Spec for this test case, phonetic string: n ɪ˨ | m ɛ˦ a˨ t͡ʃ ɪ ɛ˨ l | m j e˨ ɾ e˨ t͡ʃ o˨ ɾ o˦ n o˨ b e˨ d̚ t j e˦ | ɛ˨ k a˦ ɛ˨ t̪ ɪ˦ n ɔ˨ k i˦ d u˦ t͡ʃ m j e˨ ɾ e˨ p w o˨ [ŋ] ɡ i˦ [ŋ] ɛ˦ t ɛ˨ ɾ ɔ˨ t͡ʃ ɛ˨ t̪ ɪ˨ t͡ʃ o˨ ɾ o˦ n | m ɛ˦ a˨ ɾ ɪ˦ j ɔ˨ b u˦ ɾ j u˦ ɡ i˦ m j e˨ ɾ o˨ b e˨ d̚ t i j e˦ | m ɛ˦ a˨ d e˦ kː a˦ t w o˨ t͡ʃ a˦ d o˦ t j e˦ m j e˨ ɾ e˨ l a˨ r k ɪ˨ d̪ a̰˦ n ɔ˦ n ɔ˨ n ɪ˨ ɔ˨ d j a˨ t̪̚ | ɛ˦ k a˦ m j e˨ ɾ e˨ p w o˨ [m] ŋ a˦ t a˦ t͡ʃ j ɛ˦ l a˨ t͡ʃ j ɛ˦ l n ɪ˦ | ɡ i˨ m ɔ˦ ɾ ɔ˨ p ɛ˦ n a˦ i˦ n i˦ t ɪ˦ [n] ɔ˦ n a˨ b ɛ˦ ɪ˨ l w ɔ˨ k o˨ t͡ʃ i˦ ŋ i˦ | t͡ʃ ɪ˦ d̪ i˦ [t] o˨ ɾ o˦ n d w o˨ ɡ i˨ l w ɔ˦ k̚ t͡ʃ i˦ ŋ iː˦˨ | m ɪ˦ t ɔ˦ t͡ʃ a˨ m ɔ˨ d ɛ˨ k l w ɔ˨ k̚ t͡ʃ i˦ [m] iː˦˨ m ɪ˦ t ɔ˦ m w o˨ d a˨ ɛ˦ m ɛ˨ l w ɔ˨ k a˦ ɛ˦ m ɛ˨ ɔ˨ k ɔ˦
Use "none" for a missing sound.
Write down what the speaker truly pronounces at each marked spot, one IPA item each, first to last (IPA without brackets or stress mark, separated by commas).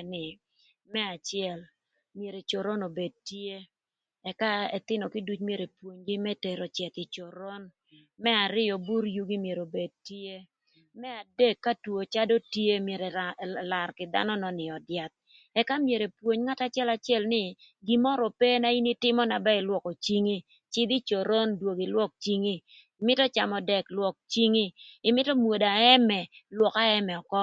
ɲ, m, ɲ, m, t͡ʃ, ŋ